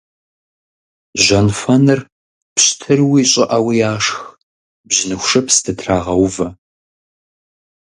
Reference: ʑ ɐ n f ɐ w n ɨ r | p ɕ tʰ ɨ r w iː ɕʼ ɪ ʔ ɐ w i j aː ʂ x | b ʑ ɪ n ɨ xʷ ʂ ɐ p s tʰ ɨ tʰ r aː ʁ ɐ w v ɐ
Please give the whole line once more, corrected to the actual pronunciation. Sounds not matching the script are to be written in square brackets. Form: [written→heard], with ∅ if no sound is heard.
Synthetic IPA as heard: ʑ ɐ n f ɐ [w→∅] n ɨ r | p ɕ tʰ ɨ r w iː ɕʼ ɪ ʔ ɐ w i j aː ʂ x | b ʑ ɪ n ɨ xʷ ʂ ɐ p s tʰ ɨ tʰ r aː ʁ ɐ w v ɐ